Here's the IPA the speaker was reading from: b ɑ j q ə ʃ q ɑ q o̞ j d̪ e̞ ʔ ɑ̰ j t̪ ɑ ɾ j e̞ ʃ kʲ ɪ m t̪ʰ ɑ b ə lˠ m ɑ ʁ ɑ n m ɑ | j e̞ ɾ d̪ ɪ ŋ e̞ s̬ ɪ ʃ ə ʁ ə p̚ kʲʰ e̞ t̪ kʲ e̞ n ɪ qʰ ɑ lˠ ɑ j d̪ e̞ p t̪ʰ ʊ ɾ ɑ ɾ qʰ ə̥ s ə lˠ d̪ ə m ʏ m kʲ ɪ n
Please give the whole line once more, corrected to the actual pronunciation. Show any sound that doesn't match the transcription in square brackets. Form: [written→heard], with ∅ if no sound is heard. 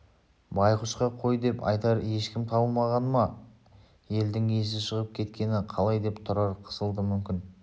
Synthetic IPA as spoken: b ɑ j q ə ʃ q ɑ [q→qʰ] o̞ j d̪ e̞ [ʔ→p] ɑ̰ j t̪ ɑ ɾ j e̞ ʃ kʲ ɪ m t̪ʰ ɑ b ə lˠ m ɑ ʁ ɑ n m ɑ | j e̞ [ɾ→l] d̪ ɪ ŋ e̞ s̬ ɪ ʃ ə ʁ ə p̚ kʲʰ e̞ t̪ kʲ e̞ n ɪ qʰ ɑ lˠ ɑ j d̪ e̞ p t̪ʰ ʊ ɾ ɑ ɾ qʰ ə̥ s ə lˠ d̪ ə m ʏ m kʲ ɪ n